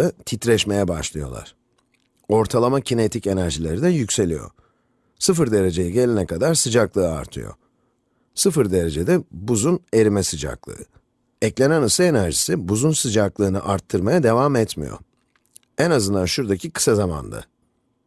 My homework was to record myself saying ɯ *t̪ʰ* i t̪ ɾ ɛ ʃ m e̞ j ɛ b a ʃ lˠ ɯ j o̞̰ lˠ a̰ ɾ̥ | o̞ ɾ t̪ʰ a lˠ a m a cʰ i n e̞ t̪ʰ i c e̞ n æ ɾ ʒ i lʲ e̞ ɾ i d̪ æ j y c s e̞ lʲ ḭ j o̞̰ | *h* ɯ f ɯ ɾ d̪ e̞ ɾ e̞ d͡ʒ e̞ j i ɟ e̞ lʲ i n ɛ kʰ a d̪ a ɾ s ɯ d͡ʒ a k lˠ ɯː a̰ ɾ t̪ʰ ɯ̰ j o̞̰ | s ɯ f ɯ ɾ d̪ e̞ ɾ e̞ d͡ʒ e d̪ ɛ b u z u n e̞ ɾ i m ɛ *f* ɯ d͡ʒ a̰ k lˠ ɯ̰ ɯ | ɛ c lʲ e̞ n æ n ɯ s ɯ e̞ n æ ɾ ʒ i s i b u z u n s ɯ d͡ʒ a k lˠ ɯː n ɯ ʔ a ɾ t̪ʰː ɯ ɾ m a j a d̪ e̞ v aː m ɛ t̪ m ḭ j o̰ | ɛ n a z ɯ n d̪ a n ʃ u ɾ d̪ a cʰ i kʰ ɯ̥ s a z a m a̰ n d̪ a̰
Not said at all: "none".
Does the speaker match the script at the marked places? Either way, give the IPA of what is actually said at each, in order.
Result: t̪ʰ, s, s

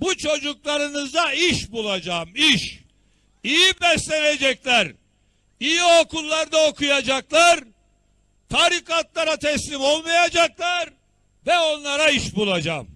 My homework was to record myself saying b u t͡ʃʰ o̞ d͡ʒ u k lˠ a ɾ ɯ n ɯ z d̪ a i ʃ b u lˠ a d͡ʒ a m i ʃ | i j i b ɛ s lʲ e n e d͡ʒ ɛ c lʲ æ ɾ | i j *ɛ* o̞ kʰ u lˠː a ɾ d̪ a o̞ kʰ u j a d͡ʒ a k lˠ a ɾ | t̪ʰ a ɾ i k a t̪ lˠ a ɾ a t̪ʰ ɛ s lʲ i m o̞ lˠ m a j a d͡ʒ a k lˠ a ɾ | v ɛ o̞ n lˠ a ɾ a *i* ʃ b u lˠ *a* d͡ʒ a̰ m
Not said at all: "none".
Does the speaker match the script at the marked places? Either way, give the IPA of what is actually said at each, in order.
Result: i, i, a

